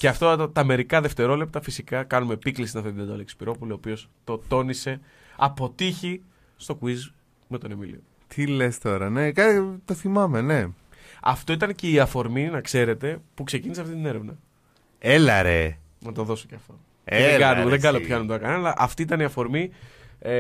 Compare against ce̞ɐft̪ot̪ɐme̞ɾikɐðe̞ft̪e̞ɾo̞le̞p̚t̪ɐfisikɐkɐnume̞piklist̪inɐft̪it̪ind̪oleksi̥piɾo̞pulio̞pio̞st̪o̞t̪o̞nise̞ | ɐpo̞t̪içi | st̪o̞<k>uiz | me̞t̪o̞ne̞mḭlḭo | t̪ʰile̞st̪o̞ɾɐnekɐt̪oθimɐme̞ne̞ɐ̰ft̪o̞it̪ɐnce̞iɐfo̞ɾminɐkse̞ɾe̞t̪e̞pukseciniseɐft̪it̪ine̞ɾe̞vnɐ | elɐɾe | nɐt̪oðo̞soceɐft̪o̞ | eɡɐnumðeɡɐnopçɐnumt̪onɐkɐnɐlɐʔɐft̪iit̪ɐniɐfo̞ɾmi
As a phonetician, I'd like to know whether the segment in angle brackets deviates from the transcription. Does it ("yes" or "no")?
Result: no